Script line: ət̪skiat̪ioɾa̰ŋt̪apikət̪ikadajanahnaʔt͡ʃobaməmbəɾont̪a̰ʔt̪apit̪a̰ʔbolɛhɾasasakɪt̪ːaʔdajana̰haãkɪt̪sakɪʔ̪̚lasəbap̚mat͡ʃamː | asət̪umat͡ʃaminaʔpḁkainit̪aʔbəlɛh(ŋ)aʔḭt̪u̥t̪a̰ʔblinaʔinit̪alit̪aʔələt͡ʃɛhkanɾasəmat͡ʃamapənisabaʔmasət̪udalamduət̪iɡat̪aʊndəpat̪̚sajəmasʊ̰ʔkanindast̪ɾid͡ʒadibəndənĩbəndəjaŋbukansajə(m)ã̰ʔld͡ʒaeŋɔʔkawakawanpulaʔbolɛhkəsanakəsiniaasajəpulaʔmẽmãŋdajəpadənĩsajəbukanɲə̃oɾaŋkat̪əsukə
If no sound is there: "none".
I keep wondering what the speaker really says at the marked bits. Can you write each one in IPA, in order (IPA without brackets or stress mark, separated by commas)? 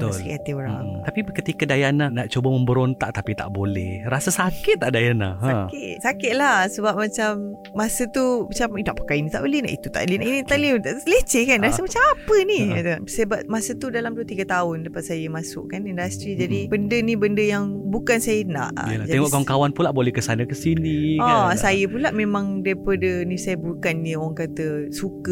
n, n